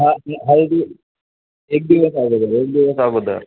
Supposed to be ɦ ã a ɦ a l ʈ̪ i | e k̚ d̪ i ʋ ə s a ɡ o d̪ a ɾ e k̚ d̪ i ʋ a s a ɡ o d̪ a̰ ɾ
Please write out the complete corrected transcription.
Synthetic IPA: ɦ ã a ɦ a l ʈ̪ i | e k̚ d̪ i ʋ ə s a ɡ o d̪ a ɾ e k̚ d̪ i ʋ ə s a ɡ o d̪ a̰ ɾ

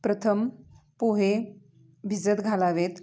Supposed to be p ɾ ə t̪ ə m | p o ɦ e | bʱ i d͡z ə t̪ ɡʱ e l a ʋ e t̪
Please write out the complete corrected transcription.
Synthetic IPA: p ɾ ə t̪ʰ ə m | p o ɦ e | bʱ i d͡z ə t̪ ɡʱ a l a ʋ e t̪

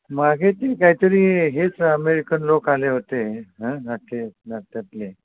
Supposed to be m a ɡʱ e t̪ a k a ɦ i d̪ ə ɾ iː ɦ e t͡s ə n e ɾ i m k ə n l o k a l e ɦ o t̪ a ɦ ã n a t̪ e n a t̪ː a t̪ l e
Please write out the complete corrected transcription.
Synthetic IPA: m a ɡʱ e t̪ e k a ɦ i t̪ ə ɾ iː ɦ e t͡s ə m e ɾ i k ə n l o k a l e ɦ o t̪ e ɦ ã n a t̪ e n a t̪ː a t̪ l e

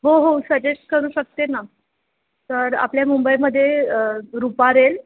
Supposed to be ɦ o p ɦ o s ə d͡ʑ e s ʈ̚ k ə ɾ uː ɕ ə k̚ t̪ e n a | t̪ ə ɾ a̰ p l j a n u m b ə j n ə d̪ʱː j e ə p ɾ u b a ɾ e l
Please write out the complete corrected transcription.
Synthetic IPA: ɦ o ɦ o s ə d͡ʑ e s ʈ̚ k ə ɾ uː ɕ ə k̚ t̪ e n a | t̪ ə ɾ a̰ p l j a m u m b ə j m ə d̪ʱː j e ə ɾ u p a ɾ e l

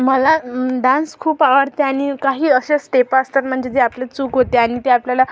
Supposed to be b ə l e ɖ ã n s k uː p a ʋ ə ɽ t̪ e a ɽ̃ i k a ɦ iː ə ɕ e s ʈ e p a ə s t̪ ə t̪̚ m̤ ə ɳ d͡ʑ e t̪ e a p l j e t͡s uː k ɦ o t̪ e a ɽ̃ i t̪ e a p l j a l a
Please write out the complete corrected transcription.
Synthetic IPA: m ə l a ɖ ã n s kʰ uː p a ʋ ə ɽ t̪ e a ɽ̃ i k a ɦ iː ə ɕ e s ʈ e p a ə s t̪ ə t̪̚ m̤ ə ɳ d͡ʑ e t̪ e a p l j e t͡s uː k ɦ o t̪ e a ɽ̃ i t̪ e a p l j a l a

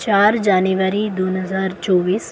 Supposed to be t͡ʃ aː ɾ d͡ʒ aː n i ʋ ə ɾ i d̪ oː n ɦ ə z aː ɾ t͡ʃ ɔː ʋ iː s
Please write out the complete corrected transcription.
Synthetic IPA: t͡ʃ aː ɾ d͡ʒ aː n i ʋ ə ɾ i d̪ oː n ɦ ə z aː ɾ t͡ʃ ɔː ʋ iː s

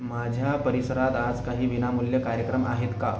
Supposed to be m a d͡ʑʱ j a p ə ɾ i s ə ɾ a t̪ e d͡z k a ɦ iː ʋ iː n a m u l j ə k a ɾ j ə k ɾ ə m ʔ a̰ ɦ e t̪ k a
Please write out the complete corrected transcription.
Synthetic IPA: m a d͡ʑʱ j a p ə ɾ i s ə ɾ a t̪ a d͡z k a ɦ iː ʋ i n a m u l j ə k a ɾ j ə k ɾ ə m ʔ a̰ ɦ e t̪ k a

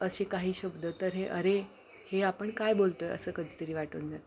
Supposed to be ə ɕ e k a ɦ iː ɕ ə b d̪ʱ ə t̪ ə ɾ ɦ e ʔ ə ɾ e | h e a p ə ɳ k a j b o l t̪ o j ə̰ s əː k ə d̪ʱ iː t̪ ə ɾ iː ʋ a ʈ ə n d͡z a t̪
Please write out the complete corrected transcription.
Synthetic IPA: ə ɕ e k a ɦ iː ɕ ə b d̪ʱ ə t̪ ə ɾ ɦ e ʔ ə ɾ e | h e a p ə ɳ k a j b o l t̪ o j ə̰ s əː k ə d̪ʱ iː t̪ ə ɾ iː ʋ a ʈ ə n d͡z a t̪

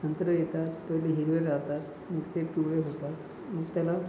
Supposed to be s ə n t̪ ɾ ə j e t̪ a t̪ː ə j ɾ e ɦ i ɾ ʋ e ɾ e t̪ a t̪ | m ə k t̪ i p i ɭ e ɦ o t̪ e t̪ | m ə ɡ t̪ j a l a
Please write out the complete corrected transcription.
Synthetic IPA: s ə n t̪ ɾ ə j e t̪ a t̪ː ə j l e ɦ i ɾ ʋ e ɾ a t̪ a t̪ | m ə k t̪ e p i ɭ e ɦ o t̪ a t̪ | m ə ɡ t̪ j a l a

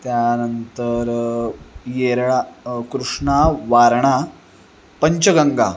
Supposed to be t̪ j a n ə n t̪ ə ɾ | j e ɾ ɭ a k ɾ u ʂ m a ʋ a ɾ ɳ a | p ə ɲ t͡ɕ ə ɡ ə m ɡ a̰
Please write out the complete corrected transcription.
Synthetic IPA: t̪ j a n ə n t̪ ə ɾ | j e ɾ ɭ a k ɾ u ʂ ɳ a ʋ a ɾ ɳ a | p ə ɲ t͡ɕ ə ɡ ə ŋ ɡ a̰

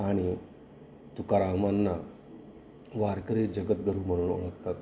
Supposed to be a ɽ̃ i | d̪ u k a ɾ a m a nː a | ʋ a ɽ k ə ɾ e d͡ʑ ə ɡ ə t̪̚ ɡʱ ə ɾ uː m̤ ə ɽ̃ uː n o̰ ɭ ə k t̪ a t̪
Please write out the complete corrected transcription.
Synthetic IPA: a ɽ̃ i | t̪ u k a ɾ a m a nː a | ʋ a ɾ k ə ɾ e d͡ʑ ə ɡ ə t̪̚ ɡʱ ə ɾ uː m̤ ə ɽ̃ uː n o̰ ɭ ə k t̪ a t̪

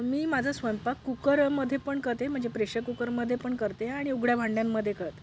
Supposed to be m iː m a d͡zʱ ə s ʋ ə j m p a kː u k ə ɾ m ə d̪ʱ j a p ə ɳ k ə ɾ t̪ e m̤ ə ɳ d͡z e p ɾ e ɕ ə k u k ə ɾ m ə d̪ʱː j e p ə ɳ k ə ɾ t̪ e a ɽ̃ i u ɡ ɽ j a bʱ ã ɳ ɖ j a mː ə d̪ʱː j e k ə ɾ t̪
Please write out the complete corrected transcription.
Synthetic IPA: m iː m a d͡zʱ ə s ʋ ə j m p a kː u k ə ɾ m ə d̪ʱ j e p ə ɳ k ə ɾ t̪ e m̤ ə ɳ d͡z e p ɾ e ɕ ə k u k ə ɾ m ə d̪ʱː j e p ə ɳ k ə ɾ t̪ e a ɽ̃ i u ɡ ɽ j a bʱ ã ɳ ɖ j a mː ə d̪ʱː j e k ə ɾ t̪

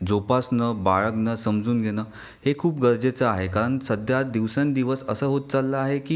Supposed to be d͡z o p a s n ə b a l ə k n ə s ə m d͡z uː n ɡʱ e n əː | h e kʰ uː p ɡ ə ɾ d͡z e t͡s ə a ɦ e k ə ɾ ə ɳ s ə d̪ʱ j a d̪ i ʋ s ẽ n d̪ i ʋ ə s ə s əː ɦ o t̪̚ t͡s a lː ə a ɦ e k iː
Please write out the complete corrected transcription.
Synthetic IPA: d͡z o p a s n ə b a ɭ ə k n ə s ə m d͡z uː n ɡʱ e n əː | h e kʰ uː p ɡ ə ɾ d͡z e t͡s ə a ɦ e k a ɾ ə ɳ s ə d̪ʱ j a d̪ i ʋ s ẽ n d̪ i ʋ ə s ə s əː ɦ o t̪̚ t͡s a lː ə a ɦ e k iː

